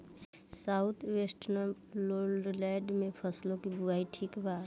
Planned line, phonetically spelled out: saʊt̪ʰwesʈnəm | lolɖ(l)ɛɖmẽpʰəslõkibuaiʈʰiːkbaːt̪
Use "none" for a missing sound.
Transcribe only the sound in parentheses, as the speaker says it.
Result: l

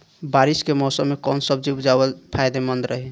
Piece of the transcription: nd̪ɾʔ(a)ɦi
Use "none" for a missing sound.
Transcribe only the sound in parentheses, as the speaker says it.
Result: ə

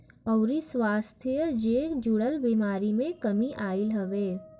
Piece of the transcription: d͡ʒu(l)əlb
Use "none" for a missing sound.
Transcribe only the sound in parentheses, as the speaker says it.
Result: ɽ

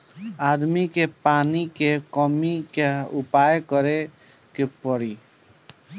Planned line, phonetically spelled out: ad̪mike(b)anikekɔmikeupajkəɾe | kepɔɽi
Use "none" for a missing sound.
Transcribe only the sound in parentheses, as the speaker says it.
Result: p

